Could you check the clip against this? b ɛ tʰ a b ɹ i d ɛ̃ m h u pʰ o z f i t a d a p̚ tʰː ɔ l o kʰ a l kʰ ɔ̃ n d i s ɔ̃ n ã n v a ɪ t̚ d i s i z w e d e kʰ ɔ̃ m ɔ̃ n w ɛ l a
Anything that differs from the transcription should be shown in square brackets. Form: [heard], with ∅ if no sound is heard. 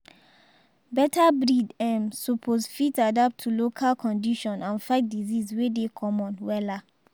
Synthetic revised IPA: b ɛ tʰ a b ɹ i d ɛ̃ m [s] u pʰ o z f i t a d a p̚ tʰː [u] l o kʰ a l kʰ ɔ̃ n d i [ʃ] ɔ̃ n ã n [f] a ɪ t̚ d i [z] i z w e d e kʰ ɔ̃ m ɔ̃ n w ɛ l a

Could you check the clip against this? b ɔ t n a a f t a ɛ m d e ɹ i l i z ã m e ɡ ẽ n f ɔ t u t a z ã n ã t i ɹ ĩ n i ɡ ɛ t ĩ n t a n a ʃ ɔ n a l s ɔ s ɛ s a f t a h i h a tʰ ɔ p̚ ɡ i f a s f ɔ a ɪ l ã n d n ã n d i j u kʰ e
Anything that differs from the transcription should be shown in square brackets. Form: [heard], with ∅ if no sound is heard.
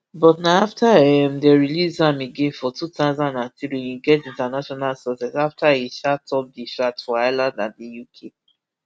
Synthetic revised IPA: b ɔ t n a a f t a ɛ m d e ɹ i l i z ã m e ɡ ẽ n f ɔ t u t a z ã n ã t i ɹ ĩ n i ɡ ɛ t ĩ n t a n a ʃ ɔ n a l s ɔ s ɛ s a f t a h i [ʃ] a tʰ ɔ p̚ [d] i [ʃ] a [t] f ɔ a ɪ l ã n d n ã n d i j u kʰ e

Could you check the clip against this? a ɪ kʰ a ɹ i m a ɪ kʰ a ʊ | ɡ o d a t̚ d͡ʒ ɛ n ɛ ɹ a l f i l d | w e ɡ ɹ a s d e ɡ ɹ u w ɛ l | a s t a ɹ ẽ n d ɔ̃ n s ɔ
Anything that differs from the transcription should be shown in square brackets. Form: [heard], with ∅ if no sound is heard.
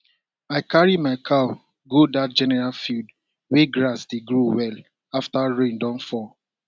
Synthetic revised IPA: a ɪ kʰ a ɹ i m a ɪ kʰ a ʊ | ɡ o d a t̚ d͡ʒ ɛ n ɛ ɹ a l f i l d | w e ɡ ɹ a s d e ɡ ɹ u w ɛ l | a [f] t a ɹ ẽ n d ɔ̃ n [f] ɔ

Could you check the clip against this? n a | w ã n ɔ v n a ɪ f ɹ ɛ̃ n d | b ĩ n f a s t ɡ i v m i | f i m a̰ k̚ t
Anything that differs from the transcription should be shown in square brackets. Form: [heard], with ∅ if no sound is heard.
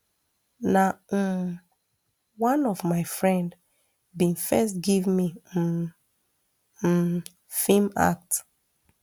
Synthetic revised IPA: n a | w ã n ɔ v [m] a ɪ f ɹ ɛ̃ n d | b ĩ n f [ɛ] s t ɡ i v m i | f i m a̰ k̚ t

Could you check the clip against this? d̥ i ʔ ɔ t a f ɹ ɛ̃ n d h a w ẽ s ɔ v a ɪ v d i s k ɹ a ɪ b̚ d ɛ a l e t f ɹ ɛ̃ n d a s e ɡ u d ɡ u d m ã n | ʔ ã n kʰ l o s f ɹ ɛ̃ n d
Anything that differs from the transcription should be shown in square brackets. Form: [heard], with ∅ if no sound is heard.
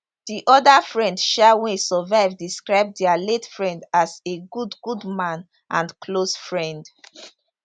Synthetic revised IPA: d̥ i ʔ ɔ [d] a f ɹ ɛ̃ n d [ʃ] a w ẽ s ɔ v a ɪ v d i s k ɹ a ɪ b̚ d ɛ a l e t f ɹ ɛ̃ n d a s e ɡ u d ɡ u d m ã n | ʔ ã n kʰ l o s f ɹ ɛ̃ n d

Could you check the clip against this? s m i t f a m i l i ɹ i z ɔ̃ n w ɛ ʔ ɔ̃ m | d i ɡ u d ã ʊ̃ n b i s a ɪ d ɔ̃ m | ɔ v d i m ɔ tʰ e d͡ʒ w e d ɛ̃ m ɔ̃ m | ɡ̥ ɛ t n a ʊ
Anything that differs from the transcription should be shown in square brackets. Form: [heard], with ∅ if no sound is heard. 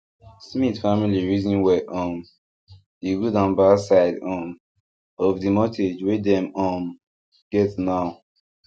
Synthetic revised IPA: s m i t f a m i l i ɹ i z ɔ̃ n w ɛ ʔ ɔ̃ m | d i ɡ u d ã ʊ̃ n b [a] s a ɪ d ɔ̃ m | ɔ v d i m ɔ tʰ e d͡ʒ w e d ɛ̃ m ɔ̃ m | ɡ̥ ɛ t n a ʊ

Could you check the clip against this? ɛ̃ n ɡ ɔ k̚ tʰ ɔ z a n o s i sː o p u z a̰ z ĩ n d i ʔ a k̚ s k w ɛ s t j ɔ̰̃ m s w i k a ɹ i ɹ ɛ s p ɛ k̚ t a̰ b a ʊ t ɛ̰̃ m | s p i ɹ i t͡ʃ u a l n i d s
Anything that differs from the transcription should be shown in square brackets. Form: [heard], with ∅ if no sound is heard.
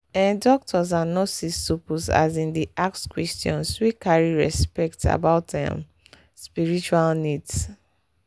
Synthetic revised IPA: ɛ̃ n [d] ɔ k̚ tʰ ɔ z a n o s i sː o p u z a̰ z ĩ n d i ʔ a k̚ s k w ɛ s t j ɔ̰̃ [n] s w i k a ɹ i ɹ ɛ s p ɛ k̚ t a̰ b a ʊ t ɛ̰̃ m | s p i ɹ i t͡ʃ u a l n i d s

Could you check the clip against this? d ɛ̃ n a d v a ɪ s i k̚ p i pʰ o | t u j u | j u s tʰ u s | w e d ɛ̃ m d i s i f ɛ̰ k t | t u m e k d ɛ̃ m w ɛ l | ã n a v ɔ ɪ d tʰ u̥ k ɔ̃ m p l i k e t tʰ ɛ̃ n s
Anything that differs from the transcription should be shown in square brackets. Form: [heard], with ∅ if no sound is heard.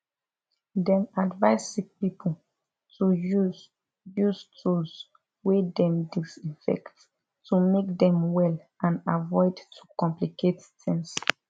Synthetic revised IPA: d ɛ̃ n a d v a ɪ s i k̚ p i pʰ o | t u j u | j u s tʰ u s | w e d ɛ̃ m d i s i f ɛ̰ k t | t u m e k d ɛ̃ m w ɛ l | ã n a v ɔ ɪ d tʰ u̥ k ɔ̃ m p l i k e t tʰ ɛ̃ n s

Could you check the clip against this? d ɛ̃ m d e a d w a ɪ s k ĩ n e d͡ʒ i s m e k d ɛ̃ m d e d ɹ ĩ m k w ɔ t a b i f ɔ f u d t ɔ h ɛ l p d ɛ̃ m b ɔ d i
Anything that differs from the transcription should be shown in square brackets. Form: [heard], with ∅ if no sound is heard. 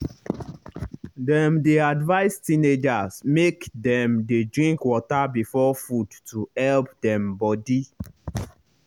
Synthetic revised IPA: d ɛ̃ m d e a d [v] a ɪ s [t] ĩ n e d͡ʒ [a] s m e k d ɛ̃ m d e d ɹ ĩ [ŋ] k w ɔ t a b i f ɔ f u d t [u] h ɛ l p d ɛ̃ m b ɔ d i

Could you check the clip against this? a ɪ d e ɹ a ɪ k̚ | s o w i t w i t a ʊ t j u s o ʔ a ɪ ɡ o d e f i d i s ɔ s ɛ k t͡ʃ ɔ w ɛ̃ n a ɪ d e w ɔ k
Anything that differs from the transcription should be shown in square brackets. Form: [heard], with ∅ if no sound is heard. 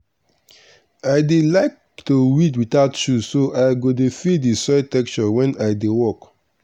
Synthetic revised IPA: a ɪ d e [l] a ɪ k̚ | [t] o w i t w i t a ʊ t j u s o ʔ a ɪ ɡ o d e f i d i s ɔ [t] ɛ k t͡ʃ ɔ w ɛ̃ n a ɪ d e w ɔ k

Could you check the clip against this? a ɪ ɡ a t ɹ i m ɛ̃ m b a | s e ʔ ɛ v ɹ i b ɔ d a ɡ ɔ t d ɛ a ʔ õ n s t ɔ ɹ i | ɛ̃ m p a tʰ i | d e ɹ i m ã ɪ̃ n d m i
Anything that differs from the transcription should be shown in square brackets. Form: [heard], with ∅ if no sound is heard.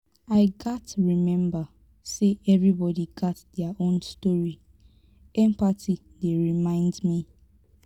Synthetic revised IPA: a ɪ ɡ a t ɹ i m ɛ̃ m b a | s e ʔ ɛ v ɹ i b ɔ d [i] ɡ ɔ t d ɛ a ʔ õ n s t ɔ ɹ i | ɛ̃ m p a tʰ i | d e ɹ i m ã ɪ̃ n d m i

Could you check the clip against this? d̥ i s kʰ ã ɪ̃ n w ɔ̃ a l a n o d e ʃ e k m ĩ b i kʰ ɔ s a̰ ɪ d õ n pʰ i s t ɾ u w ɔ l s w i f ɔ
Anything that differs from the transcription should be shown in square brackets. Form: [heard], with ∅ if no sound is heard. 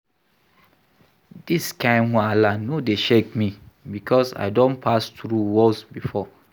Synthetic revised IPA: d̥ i s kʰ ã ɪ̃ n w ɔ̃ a l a n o d e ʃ e k m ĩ b i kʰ ɔ s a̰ ɪ d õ n pʰ [a] s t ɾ u w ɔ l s [b] i f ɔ

